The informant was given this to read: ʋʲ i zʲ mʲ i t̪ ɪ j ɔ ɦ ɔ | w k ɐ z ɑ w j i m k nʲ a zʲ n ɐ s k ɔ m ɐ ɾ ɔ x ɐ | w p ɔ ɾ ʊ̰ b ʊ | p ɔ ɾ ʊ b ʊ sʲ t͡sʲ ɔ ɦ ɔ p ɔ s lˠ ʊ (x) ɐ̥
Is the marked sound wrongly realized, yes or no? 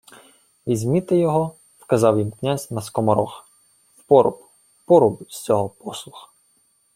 no